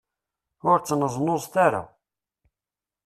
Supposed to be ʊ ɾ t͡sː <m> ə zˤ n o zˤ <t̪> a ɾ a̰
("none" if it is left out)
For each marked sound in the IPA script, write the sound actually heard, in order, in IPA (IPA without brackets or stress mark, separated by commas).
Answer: n, t̪